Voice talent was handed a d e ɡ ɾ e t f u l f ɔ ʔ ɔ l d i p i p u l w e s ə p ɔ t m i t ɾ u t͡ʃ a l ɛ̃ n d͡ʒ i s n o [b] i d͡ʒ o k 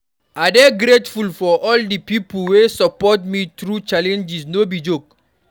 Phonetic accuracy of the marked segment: correct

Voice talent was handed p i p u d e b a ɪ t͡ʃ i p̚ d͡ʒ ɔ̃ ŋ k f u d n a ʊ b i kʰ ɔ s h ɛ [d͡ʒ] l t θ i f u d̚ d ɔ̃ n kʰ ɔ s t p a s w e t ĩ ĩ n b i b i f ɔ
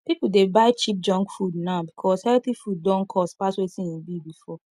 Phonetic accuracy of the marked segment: incorrect: none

